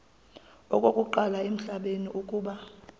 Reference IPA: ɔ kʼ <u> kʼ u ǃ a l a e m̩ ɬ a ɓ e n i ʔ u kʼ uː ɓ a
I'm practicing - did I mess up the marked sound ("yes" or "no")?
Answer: yes